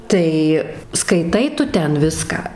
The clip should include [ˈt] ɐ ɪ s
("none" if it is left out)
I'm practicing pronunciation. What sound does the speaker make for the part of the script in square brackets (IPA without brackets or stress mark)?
t